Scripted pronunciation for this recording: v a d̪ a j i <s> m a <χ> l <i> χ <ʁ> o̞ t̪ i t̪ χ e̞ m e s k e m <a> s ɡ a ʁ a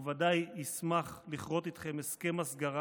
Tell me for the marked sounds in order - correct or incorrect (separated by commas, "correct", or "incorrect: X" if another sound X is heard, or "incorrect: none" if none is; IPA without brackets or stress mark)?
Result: correct, correct, correct, correct, correct